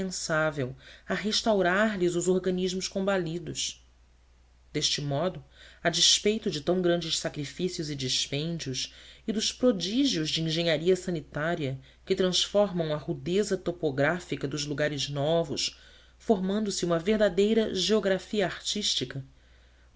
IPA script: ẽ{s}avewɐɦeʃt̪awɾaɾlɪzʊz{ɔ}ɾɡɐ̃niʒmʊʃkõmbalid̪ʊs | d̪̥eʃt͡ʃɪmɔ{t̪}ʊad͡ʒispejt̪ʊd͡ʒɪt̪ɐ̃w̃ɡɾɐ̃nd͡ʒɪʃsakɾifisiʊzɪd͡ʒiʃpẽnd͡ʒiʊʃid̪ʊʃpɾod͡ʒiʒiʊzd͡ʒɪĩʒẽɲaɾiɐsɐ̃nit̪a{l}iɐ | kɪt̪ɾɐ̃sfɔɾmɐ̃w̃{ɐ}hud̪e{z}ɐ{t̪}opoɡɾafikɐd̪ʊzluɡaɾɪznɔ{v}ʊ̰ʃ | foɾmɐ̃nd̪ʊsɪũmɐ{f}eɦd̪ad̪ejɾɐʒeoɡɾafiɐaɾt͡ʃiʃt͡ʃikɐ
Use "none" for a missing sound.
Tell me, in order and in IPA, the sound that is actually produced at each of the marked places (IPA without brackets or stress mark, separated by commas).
s, o, d̪, ɾ, ɐ, z, t̪, v, v